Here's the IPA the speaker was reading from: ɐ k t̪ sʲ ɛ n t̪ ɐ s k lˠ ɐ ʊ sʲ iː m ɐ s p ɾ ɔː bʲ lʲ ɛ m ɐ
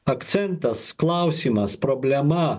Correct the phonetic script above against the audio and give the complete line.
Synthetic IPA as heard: ɐ k t̪ sʲ ɛ n t̪ ɐ s k lˠ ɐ ʊ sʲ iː m ɐ s p ɾ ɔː bʲ lʲ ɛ m ɐ